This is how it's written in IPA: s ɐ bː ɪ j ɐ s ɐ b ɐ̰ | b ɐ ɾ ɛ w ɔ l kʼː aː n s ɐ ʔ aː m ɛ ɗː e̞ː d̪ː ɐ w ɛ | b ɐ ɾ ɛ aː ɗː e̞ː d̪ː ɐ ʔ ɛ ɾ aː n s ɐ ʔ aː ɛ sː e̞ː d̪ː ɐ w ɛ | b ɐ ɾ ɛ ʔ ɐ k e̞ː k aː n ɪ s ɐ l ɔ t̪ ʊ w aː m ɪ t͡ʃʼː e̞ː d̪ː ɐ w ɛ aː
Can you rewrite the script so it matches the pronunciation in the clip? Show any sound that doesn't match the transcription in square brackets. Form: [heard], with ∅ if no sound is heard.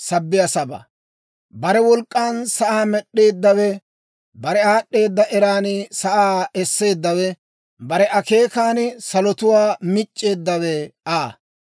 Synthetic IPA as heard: s ɐ bː ɪ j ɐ s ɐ b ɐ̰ | b ɐ ɾ ɛ w ɔ l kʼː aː n s ɐ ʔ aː m ɛ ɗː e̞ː d̪ː ɐ w ɛ | b ɐ ɾ ɛ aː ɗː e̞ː d̪ː ɐ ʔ ɛ ɾ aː n s ɐ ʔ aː ɛ sː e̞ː d̪ː ɐ w ɛ | b ɐ ɾ ɛ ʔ ɐ k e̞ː k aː n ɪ s ɐ l ɔ t̪ ʊ w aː m ɪ t͡ʃʼː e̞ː d̪ː ɐ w ɛ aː